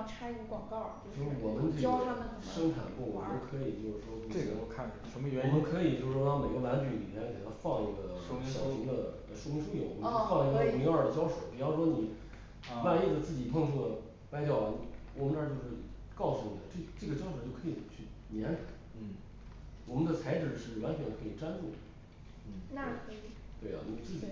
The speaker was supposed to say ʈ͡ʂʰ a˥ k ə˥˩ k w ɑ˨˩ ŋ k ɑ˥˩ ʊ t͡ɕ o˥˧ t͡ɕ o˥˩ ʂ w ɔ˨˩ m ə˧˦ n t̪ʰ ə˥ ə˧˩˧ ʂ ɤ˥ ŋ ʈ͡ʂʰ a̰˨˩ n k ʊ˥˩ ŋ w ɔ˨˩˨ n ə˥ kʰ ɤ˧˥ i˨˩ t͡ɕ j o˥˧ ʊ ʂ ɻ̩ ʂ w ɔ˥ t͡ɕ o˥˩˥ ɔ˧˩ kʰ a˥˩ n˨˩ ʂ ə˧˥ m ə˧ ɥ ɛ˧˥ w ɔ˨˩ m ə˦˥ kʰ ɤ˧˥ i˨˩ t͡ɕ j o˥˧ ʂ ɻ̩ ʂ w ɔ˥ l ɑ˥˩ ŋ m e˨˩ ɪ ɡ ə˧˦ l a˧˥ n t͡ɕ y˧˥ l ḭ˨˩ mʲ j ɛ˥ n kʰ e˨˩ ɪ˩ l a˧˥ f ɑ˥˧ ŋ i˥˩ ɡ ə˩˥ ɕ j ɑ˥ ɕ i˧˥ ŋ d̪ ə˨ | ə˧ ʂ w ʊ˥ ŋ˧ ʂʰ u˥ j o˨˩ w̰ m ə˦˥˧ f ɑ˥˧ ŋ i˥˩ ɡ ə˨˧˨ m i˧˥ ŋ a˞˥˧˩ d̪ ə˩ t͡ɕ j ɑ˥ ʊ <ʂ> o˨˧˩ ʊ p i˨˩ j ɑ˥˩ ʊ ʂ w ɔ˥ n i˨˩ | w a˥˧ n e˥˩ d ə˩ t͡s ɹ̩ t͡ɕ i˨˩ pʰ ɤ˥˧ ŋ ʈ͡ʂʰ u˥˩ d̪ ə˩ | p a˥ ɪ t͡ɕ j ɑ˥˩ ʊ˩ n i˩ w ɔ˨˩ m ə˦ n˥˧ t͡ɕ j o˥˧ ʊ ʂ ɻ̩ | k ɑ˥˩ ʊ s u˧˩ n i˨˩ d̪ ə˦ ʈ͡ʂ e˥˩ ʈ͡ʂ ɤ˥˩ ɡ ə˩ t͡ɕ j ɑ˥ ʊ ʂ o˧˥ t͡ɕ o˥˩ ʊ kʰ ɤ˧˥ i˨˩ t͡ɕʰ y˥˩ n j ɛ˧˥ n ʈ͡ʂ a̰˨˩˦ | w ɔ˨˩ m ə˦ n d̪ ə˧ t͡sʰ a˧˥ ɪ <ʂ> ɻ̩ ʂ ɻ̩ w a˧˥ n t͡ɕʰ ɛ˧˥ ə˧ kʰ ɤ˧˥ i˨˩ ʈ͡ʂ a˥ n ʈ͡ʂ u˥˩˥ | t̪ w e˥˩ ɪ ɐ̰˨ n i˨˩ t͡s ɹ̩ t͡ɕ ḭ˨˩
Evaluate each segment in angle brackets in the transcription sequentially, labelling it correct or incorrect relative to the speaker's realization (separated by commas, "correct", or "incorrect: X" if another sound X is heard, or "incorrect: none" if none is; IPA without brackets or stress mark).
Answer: correct, incorrect: ʈ͡ʂ